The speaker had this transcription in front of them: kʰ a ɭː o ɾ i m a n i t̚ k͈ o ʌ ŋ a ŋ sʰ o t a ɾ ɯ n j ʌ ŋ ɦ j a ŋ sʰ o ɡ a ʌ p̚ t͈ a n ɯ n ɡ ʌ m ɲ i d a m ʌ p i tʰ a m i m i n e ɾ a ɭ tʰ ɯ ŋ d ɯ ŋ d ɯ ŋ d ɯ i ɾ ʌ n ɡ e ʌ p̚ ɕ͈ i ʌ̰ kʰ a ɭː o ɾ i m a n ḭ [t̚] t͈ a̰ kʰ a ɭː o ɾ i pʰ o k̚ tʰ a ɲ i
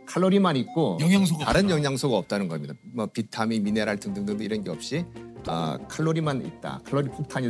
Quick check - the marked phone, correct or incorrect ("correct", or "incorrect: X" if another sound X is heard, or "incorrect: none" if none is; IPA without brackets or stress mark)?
correct